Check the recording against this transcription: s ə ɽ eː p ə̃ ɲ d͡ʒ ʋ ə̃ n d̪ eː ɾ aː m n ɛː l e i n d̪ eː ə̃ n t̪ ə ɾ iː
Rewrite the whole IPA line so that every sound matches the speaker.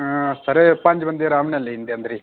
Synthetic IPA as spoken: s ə ɾ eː p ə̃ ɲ d͡ʒ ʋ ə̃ n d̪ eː ɾ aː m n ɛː l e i n d̪ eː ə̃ n d̪ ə ɾ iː